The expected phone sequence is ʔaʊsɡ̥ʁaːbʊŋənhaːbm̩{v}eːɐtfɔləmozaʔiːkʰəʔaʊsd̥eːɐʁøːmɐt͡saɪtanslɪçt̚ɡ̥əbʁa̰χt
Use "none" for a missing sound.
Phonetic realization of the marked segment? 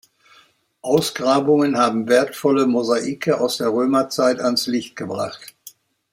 v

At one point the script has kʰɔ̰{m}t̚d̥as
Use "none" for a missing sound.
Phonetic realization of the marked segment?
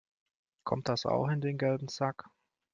m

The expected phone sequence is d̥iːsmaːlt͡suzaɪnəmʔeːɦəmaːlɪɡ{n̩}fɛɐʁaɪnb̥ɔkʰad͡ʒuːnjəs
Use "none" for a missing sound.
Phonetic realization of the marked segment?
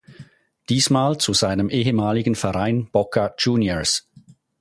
n̩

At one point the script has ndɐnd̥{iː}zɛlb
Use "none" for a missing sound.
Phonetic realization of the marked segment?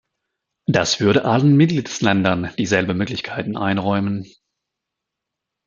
iː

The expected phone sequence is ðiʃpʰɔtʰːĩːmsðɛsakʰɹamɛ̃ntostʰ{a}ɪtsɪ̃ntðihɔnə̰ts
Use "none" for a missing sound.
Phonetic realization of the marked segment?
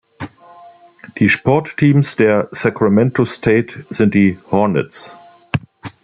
e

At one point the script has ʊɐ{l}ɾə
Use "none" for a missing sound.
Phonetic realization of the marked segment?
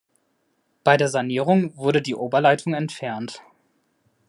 none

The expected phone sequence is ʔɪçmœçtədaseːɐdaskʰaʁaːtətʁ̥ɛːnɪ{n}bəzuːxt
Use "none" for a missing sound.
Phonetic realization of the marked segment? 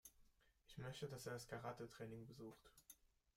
ŋ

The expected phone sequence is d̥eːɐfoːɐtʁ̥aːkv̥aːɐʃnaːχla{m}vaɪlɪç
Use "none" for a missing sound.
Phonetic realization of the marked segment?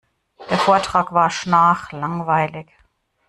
ŋ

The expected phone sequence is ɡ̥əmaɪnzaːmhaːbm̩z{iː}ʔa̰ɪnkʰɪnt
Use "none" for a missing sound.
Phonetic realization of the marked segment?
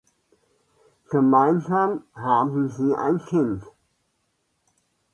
iː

